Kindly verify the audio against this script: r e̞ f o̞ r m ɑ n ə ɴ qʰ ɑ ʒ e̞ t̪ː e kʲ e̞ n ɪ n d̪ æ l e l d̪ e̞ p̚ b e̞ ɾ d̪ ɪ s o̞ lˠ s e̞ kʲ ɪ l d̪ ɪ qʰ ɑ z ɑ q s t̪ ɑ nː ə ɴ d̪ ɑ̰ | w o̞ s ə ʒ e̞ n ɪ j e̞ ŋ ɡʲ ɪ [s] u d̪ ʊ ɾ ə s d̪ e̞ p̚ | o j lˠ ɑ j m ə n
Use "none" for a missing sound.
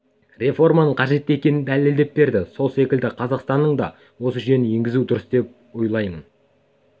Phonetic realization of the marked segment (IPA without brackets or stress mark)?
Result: z